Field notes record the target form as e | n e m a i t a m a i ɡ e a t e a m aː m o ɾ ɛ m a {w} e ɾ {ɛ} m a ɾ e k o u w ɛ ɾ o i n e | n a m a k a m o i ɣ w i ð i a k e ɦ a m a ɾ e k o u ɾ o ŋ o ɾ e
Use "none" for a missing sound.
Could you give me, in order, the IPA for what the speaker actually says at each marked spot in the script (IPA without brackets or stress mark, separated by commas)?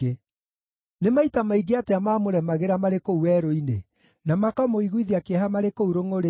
ɣ, a